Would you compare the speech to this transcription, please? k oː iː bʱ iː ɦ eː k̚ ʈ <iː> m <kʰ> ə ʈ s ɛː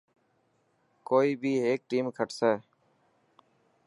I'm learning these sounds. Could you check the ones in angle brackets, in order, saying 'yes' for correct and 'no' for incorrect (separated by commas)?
yes, yes